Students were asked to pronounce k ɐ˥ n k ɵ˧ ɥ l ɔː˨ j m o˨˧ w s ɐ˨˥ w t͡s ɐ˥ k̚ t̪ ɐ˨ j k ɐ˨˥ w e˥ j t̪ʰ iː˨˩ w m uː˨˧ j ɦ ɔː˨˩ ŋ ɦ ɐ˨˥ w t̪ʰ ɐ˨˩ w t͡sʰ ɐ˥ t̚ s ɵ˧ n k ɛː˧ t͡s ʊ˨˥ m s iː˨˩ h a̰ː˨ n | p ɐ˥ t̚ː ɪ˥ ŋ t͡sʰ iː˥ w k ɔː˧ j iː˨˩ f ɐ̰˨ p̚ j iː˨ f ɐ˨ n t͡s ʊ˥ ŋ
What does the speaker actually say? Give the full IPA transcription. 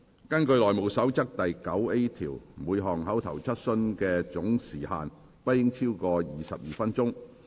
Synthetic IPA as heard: k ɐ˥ n k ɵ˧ ɥ l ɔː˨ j m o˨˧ w s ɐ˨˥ w t͡s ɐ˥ k̚ t̪ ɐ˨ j k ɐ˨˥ w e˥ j t̪ʰ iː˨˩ w m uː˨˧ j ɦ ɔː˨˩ ŋ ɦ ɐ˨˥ w t̪ʰ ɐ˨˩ w t͡sʰ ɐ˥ t̚ s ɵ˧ n k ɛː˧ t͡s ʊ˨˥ ŋ s iː˨˩ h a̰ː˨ n | p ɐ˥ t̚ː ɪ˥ ŋ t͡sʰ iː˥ w k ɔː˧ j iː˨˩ s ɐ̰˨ p̚ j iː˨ f ɐ˥ n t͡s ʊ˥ ŋ